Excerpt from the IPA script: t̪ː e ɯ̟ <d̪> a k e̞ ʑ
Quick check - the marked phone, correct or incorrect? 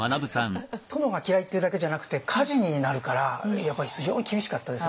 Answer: correct